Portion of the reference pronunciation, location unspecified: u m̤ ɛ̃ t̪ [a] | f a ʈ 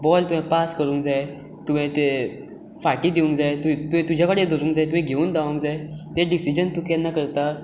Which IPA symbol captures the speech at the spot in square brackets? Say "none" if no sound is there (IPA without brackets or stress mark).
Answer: e